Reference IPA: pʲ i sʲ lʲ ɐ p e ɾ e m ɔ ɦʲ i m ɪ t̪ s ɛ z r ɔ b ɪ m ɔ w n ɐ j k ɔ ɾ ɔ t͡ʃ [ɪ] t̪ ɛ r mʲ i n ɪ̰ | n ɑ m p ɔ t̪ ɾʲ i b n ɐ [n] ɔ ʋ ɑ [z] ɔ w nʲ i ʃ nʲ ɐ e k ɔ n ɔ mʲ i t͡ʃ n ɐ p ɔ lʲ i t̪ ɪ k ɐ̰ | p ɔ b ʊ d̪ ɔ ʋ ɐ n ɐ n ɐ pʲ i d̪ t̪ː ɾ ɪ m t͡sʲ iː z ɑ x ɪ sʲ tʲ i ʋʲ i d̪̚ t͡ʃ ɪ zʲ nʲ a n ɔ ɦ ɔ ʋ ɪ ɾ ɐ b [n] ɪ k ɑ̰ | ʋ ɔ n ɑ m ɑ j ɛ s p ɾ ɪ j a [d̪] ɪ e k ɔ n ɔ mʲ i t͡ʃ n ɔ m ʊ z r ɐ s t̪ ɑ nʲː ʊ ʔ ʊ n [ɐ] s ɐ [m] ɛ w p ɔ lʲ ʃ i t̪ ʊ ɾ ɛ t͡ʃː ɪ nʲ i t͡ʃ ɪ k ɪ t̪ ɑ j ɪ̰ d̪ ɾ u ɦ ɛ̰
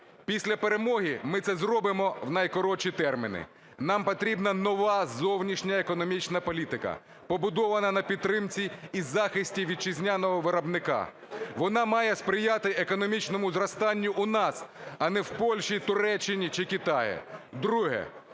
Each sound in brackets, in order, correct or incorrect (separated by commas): incorrect, correct, correct, correct, incorrect, incorrect, incorrect